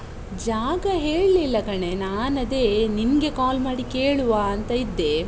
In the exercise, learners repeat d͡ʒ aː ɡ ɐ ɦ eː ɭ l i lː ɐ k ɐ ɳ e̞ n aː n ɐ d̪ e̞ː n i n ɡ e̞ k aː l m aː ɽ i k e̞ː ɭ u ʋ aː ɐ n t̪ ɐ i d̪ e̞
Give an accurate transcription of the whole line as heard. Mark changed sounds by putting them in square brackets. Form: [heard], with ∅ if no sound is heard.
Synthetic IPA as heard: d͡ʒ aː ɡ ɐ ɦ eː ɭ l i lː ɐ k ɐ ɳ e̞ n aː n ɐ d̪ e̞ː n i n ɡ e̞ k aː l m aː ɽ i k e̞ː ɭ u ʋ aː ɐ n t̪ ɐ i [d̪ː] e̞

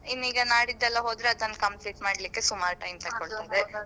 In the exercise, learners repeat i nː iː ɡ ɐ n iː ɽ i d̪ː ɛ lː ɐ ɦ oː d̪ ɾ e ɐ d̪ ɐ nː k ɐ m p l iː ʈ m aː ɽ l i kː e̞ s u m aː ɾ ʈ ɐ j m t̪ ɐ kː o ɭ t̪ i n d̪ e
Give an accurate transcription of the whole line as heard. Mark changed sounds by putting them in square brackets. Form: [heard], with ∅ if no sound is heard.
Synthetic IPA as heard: i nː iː ɡ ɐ n [aː] ɽ i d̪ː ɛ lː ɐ ɦ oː d̪ ɾ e ɐ d̪ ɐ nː k ɐ m p l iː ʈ m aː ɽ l i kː e̞ s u m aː ɾ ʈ ɐ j m t̪ ɐ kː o ɭ t̪ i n d̪ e

